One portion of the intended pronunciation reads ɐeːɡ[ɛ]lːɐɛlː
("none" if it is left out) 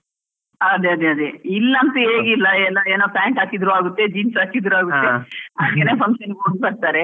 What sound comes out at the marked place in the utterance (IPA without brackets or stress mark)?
i